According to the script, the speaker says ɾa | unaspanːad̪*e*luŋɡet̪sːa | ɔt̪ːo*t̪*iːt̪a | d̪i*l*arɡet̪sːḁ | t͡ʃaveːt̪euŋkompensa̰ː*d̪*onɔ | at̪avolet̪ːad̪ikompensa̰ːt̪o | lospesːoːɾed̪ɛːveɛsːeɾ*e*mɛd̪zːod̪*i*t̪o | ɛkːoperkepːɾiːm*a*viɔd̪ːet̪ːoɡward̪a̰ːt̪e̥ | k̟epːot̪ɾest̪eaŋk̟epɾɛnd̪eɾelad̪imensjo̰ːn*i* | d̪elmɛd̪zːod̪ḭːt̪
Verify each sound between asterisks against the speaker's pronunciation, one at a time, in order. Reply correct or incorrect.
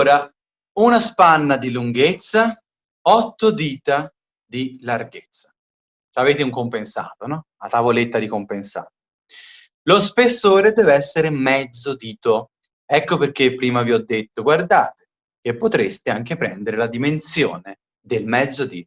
incorrect, incorrect, correct, incorrect, correct, incorrect, correct, incorrect

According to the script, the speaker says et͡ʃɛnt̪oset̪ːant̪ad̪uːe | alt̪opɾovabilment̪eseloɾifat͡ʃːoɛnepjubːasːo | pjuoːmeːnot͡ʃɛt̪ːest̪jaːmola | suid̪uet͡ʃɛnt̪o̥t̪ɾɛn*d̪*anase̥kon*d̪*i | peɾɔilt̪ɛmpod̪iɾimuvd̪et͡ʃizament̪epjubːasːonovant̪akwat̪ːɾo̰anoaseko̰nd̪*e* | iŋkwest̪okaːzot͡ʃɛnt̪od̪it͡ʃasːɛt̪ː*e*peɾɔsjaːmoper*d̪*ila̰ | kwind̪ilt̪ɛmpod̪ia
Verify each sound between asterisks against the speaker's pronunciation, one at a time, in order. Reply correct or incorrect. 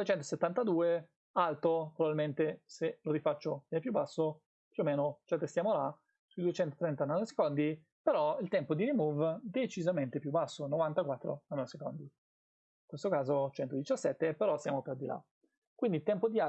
incorrect, correct, incorrect, correct, correct

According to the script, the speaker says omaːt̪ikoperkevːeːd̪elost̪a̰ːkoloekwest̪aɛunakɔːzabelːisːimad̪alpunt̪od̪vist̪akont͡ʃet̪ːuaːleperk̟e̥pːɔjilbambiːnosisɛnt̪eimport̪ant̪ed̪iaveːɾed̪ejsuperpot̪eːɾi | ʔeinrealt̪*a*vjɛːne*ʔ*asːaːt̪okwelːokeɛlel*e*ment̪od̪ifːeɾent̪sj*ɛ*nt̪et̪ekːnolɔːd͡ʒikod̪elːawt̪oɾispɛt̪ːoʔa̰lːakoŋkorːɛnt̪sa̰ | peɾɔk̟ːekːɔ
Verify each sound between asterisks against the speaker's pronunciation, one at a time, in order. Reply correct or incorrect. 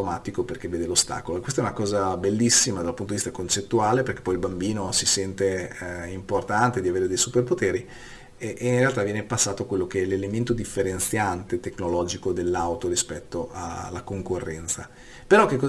correct, incorrect, correct, incorrect

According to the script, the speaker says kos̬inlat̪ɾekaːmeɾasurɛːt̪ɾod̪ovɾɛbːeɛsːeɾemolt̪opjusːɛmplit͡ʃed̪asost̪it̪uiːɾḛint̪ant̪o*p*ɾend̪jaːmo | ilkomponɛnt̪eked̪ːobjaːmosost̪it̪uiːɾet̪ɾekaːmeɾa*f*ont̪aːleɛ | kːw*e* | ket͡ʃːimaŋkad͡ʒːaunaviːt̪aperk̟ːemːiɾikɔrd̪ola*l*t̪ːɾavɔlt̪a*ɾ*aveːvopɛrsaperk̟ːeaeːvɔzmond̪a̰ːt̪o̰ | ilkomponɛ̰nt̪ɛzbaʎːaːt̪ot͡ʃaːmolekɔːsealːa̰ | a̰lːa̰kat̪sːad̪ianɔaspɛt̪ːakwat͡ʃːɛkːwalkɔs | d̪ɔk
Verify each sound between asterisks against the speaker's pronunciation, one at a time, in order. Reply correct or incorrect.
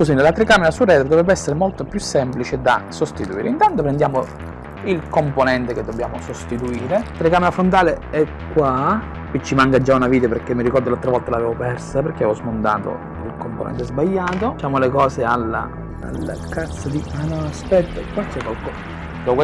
correct, correct, incorrect, correct, incorrect

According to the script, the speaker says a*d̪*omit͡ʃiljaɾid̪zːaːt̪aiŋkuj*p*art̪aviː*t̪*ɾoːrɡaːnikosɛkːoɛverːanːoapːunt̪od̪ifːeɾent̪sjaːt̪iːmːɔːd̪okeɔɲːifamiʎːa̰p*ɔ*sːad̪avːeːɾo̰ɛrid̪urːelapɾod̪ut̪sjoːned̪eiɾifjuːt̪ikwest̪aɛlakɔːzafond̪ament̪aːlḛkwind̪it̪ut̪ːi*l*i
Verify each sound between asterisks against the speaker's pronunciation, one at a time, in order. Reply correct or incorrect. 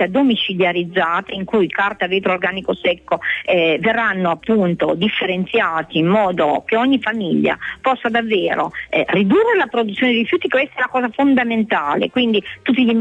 correct, incorrect, correct, correct, incorrect

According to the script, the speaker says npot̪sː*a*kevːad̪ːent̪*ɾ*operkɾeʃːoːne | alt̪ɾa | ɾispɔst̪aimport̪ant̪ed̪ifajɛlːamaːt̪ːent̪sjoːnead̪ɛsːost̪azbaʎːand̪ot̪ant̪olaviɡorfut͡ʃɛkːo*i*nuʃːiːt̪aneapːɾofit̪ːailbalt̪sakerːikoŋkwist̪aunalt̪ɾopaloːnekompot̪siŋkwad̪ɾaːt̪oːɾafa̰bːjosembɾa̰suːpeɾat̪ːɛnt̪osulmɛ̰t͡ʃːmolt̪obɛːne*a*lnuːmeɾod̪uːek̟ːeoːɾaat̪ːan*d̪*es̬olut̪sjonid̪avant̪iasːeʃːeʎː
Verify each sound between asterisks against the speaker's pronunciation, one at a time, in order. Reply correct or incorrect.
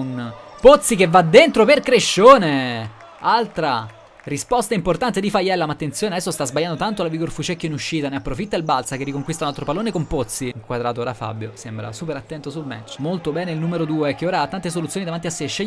incorrect, correct, correct, incorrect, incorrect

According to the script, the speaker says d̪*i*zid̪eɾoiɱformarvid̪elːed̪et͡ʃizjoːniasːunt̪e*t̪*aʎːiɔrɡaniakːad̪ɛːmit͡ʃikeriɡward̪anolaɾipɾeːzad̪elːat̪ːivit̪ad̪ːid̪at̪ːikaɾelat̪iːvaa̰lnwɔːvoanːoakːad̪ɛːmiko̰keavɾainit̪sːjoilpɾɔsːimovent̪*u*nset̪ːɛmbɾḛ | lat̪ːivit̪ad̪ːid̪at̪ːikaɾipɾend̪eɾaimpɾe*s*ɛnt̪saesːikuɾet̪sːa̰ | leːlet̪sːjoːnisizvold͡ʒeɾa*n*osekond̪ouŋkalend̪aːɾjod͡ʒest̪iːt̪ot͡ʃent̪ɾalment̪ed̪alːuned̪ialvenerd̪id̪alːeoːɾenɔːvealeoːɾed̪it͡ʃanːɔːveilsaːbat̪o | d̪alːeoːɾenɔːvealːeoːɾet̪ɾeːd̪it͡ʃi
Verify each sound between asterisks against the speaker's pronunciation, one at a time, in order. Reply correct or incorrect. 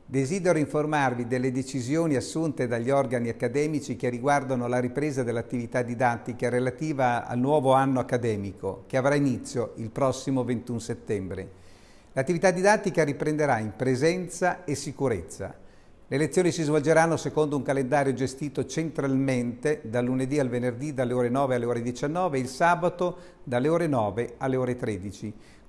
incorrect, incorrect, correct, incorrect, incorrect

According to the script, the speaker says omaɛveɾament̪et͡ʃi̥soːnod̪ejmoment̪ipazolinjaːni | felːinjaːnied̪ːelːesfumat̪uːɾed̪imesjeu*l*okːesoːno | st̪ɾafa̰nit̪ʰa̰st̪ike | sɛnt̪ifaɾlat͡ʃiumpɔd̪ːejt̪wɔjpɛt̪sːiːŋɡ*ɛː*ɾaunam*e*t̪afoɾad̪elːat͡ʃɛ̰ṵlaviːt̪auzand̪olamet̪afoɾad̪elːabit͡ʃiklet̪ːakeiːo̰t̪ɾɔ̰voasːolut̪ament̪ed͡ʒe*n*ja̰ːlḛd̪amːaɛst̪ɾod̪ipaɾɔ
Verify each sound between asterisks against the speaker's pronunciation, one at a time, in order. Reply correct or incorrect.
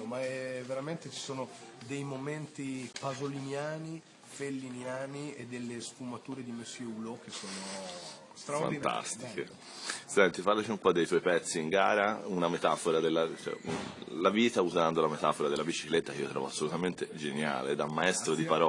correct, incorrect, correct, correct

